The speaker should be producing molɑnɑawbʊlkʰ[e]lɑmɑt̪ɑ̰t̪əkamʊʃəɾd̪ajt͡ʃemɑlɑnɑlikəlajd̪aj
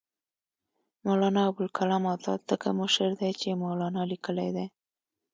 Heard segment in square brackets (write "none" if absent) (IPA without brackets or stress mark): a